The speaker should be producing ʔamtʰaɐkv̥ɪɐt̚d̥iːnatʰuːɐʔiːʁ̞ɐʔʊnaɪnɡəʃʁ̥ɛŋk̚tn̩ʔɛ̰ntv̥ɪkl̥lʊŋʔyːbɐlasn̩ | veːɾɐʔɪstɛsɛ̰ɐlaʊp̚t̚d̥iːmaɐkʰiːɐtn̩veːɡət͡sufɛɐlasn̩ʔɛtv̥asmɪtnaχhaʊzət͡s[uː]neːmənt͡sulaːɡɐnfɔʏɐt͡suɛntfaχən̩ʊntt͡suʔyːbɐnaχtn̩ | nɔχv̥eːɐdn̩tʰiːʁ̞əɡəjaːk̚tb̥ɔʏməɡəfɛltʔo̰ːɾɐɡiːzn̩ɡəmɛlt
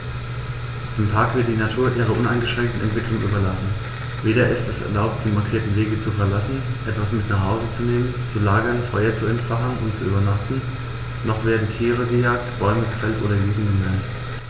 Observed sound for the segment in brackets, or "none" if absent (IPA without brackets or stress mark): u